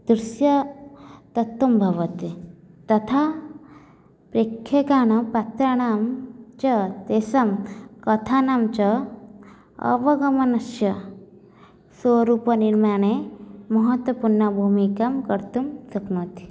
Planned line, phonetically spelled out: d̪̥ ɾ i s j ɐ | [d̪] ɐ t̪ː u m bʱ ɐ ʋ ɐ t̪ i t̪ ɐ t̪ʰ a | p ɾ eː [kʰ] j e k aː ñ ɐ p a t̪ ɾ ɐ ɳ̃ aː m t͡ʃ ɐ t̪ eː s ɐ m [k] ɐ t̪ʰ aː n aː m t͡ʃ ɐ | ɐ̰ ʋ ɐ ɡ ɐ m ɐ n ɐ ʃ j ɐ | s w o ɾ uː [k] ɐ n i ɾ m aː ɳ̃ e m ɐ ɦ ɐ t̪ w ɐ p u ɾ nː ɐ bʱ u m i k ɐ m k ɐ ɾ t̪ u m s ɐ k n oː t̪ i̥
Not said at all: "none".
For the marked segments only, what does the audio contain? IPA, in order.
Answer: t̪, kʰ, k, p

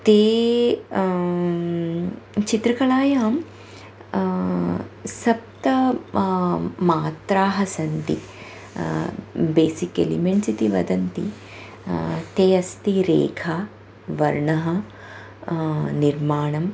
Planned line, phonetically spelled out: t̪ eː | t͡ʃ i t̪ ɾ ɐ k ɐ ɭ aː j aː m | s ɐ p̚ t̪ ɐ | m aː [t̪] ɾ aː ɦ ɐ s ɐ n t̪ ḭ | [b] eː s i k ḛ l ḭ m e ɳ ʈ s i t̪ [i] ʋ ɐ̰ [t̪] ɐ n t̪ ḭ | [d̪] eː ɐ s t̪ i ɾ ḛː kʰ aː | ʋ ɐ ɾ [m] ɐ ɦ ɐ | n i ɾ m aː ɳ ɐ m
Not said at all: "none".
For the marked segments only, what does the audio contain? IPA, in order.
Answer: t̪, b, i, d̪, t̪, ɳ

